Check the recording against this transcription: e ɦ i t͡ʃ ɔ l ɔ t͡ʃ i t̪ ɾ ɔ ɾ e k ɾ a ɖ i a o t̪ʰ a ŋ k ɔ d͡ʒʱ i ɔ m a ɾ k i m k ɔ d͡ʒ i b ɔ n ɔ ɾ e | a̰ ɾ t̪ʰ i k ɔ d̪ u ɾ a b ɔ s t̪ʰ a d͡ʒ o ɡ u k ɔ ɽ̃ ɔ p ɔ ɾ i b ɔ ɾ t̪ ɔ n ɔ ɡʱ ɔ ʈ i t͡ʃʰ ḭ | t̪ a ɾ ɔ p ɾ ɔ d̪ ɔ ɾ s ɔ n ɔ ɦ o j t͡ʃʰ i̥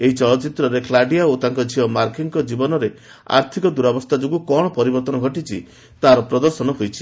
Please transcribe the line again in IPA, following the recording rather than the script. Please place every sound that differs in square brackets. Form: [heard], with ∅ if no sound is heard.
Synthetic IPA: e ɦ i t͡ʃ ɔ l ɔ t͡ʃ i t̪ ɾ ɔ ɾ e k [l] a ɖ i a o [t̪] a ŋ k ɔ d͡ʒʱ i ɔ m a ɾ k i [ŋ] k ɔ d͡ʒ i b ɔ n ɔ ɾ e | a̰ ɾ t̪ʰ i k ɔ d̪ u ɾ a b ɔ s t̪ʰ a d͡ʒ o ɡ u k ɔ ɽ̃ ɔ p ɔ ɾ i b ɔ ɾ t̪ ɔ n ɔ ɡʱ ɔ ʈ i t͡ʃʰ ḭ | t̪ a ɾ ɔ p ɾ ɔ d̪ ɔ ɾ s ɔ n ɔ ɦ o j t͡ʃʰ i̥